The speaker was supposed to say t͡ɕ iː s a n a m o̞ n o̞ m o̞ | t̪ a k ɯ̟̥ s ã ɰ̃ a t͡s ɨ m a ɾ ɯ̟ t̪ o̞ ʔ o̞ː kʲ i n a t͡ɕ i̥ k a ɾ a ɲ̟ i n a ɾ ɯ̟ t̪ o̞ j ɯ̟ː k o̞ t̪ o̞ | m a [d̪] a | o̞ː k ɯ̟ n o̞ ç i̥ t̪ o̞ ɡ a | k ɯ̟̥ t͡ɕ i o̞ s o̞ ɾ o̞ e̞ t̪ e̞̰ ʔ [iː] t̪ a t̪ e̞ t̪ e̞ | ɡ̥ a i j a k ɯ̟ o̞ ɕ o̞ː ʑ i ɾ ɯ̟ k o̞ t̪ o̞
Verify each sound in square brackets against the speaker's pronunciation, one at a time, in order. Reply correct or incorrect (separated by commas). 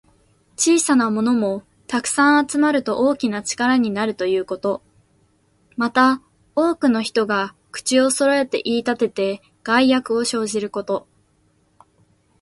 incorrect, correct